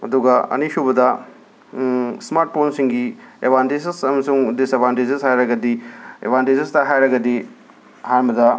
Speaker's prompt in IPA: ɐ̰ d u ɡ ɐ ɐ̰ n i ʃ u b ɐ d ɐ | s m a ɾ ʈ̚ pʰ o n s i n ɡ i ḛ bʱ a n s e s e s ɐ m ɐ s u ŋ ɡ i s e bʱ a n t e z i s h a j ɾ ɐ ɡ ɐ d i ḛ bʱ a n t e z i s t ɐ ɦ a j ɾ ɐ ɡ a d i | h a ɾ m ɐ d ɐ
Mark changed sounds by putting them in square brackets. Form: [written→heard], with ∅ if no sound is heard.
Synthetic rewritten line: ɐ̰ d u ɡ ɐ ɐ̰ n i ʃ u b ɐ d ɐ | s m a ɾ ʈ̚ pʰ o n s i [n→ŋ] ɡ i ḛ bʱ a n [s→t] e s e s ɐ m ɐ s u ŋ [ɡ→d] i s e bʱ a n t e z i s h a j ɾ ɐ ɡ ɐ d i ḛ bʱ a n t e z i s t ɐ ɦ a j ɾ ɐ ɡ [a→ɐ] d i | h a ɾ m ɐ d ɐ